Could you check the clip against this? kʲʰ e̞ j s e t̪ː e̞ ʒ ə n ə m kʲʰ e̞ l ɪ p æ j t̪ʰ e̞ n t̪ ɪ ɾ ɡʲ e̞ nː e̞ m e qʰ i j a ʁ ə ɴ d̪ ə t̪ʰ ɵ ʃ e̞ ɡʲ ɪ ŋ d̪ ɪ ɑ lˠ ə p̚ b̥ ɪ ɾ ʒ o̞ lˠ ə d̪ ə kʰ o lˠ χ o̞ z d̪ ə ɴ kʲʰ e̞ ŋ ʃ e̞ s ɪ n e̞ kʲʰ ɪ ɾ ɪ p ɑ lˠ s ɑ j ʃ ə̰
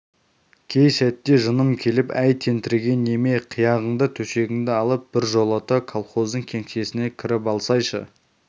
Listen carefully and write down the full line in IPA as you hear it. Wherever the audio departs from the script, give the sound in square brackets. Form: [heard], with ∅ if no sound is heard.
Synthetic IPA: kʲʰ e̞ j s [æ] t̪ː e̞ ʒ ə n ə m kʲʰ e̞ l ɪ p æ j t̪ʰ e̞ n t̪ ɪ ɾ ɡʲ e̞ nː e̞ m e qʰ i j [ɑ] ʁ ə ɴ d̪ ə t̪ʰ ɵ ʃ e̞ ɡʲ ɪ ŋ d̪ ɪ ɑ lˠ ə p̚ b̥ ɪ ɾ ʒ o̞ lˠ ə [t̪] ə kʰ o lˠ χ o̞ z d̪ ə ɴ kʲʰ e̞ ŋ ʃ e̞ s ɪ n e̞ kʲʰ ɪ ɾ ɪ p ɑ lˠ s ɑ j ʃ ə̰